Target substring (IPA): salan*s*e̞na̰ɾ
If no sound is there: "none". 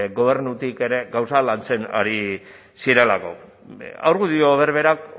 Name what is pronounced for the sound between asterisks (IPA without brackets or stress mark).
t͡s